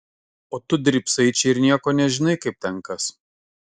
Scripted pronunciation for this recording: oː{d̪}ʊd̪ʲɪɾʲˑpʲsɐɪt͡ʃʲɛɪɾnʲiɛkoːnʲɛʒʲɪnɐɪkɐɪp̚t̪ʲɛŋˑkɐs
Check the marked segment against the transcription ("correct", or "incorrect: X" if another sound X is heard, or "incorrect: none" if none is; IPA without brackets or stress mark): incorrect: t̪